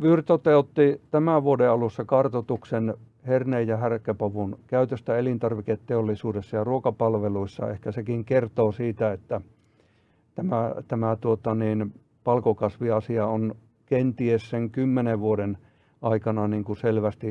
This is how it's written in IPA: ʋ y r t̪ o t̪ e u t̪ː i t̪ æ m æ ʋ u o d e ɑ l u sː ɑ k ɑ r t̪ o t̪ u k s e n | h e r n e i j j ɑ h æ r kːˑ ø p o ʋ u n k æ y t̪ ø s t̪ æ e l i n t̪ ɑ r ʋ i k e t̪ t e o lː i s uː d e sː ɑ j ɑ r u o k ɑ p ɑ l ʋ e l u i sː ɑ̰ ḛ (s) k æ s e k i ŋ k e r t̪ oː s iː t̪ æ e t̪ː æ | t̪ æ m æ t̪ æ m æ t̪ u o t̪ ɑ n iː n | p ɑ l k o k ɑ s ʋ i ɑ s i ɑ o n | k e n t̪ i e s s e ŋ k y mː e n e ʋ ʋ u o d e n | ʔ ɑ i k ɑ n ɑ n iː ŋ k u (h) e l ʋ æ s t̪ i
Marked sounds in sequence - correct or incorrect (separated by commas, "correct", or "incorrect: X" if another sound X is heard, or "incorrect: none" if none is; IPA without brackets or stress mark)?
incorrect: h, incorrect: s